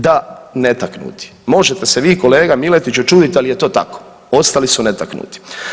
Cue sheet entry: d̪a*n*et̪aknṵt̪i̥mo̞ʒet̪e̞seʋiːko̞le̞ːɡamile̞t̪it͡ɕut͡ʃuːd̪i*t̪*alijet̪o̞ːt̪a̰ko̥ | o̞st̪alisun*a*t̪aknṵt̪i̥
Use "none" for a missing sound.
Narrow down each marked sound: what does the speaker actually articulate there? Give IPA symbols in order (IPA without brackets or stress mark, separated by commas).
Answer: n, t̪, e